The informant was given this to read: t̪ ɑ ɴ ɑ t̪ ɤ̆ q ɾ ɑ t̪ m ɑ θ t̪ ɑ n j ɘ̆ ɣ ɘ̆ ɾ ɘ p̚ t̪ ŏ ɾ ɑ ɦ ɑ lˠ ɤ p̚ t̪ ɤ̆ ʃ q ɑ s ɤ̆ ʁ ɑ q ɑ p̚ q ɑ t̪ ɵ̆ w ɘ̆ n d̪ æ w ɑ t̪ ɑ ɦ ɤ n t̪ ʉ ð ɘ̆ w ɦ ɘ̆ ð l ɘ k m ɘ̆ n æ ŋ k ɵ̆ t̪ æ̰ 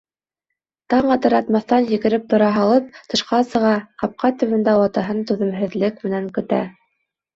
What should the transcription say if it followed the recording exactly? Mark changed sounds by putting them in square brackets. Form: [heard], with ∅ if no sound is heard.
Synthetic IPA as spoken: t̪ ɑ ɴ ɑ t̪ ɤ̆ [∅] ɾ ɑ t̪ m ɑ θ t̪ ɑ n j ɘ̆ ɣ ɘ̆ ɾ ɘ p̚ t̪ ŏ ɾ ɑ ɦ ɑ lˠ ɤ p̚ t̪ ɤ̆ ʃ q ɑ s ɤ̆ ʁ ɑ q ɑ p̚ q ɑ t̪ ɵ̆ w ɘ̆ n d̪ æ w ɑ t̪ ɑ ɦ ɤ n t̪ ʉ ð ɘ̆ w ɦ ɘ̆ ð l ɘ k m ɘ̆ n æ ŋ k ɵ̆ t̪ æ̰